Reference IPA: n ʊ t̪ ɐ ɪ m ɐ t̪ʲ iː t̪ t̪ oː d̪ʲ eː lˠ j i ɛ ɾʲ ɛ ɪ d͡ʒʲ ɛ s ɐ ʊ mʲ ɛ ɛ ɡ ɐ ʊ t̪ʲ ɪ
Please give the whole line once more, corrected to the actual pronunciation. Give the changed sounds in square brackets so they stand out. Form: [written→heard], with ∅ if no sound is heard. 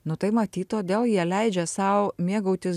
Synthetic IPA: n ʊ t̪ ɐ ɪ m ɐ t̪ʲ iː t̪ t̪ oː d̪ʲ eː lˠ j i ɛ [ɾʲ→lʲ] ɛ ɪ d͡ʒʲ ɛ s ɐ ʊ mʲ [ɛ→i] ɛ ɡ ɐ ʊ t̪ʲ ɪ